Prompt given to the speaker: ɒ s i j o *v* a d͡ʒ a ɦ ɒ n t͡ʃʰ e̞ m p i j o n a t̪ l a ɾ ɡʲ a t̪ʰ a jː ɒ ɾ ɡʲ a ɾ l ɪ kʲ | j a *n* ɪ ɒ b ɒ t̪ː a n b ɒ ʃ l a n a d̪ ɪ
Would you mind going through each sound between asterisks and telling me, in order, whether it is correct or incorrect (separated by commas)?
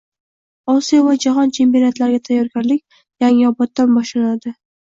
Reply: correct, incorrect